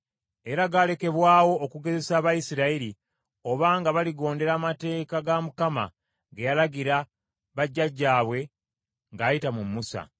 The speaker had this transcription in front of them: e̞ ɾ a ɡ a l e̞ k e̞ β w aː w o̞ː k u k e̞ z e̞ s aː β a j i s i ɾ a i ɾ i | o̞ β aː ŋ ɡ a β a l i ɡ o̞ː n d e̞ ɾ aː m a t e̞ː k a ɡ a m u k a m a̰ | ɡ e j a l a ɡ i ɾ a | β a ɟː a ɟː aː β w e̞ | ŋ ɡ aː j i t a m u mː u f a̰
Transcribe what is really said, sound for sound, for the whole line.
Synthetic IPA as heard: e̞ ɾ a ɡ a l e̞ k e̞ β w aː w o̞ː k u ɡ e̞ z e̞ s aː β a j i s i ɾ a i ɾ i | o̞ β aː ŋ ɡ a β a l i ɡ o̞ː n d e̞ ɾ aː m a t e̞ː k a ɡ a m u k a m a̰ | ɡ e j a l a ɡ i ɾ a | β a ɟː a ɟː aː β w e̞ | ŋ ɡ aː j i t a m u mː u s a̰

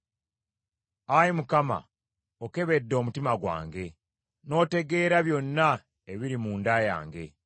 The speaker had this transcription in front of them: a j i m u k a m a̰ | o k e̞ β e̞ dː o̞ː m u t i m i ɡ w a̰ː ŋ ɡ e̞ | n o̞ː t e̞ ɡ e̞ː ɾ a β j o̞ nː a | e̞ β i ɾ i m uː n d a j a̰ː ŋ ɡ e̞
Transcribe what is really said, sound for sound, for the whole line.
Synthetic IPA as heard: a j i m u k a m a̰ | o k e̞ β e̞ dː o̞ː m u t i m a ɡ w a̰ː ŋ ɡ e̞ | n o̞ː t e̞ ɡ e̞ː ɾ a β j o̞ nː a | e̞ β i ɾ i m uː n d a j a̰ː ŋ ɡ e̞

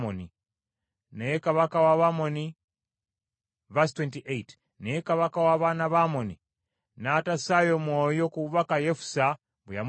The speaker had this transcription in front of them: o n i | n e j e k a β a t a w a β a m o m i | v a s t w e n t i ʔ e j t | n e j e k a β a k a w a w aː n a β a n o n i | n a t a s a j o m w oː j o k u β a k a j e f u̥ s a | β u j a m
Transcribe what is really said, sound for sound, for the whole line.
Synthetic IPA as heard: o n i | n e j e k a β a k a w a β a m o n i | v a s t w e n t i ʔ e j t | n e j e k a β a k a w a β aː n a β a m o n i | n a t a s a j o m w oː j o k u β a k a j e f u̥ s a | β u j a m

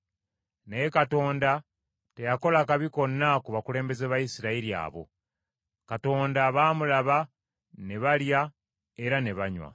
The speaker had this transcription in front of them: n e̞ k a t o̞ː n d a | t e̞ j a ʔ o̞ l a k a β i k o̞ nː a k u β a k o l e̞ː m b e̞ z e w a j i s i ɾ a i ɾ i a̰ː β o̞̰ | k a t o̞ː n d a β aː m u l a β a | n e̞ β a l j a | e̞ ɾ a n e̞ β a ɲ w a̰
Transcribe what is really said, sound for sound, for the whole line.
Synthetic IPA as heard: n e̞ k a t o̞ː n d a | t e̞ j a k o̞ l a k a β i k o̞ nː a k u β a k u l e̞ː m b e̞ z e β a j i s i ɾ a i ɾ i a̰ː β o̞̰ | k a t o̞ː n d a β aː m u l a β a | n e̞ β a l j a | e̞ ɾ a n e̞ β a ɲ w a̰

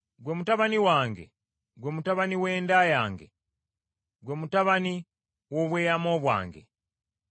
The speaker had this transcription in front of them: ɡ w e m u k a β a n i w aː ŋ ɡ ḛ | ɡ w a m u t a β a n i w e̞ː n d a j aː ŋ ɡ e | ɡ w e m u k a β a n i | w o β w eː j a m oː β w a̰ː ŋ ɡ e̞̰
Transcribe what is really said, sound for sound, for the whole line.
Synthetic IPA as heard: ɡ w e m u t a β a n i w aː ŋ ɡ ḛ | ɡ w e m u t a β a n i w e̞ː n d a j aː ŋ ɡ e | ɡ w e m u t a β a n i | w o β w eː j a m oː β w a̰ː ŋ ɡ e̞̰

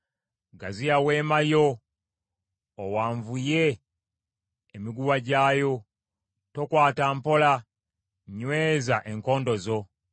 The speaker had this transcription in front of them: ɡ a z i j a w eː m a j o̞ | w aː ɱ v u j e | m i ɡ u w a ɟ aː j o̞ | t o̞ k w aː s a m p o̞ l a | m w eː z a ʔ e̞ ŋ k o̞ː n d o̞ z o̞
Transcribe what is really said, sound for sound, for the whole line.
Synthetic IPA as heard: ɡ a z i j a w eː m a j o̞ | w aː ɱ v u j e | m i ɡ u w a ɟ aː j o̞ | t o̞ k w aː t a m p o̞ l a | ɲ w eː z a ʔ e̞ ŋ k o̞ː n d o̞ z o̞

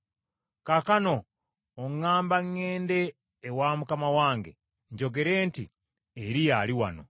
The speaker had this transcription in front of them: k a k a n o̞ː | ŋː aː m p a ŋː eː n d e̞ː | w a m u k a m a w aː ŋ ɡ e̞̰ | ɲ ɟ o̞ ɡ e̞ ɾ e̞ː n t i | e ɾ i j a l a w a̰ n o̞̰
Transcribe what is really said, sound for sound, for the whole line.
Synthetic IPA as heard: k a k a n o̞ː | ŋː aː m b a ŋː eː n d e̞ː | w a m u k a m a w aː ŋ ɡ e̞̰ | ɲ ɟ o̞ ɡ e̞ ɾ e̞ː n t i | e ɾ i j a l i w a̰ n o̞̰

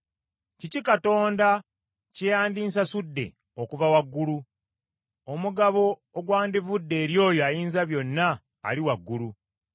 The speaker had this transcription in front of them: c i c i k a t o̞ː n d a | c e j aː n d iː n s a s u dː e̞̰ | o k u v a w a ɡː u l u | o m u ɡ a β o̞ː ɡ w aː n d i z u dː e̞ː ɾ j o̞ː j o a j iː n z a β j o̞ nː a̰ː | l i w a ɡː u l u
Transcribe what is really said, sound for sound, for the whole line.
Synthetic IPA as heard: c i c i k a t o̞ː n d a | c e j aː n d iː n s a s u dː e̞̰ | o k u v a w a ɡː u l u | o m u ɡ a β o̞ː ɡ w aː n d i v u dː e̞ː ɾ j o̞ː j o a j iː n z a β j o̞ nː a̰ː | l i w a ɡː u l u

